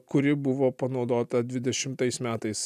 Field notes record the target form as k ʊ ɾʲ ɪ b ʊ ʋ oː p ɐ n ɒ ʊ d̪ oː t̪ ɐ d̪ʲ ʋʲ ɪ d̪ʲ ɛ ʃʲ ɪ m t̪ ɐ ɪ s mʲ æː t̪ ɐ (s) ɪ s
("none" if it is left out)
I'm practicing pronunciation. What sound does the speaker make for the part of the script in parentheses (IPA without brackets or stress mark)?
none